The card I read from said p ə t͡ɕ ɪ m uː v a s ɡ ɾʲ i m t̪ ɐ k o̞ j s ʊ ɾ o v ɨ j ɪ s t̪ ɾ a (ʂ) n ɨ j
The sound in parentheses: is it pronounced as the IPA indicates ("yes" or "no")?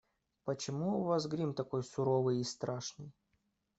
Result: yes